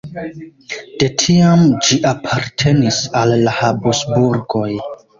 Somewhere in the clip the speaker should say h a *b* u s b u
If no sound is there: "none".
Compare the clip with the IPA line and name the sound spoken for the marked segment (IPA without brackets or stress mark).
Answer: b